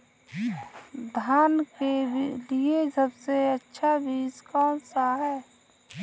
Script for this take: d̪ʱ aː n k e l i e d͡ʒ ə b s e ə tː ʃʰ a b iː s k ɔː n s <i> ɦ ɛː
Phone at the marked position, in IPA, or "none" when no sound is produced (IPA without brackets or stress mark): a